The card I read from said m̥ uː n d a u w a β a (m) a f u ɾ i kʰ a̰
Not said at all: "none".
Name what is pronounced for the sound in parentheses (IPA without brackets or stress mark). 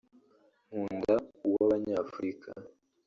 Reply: ɲ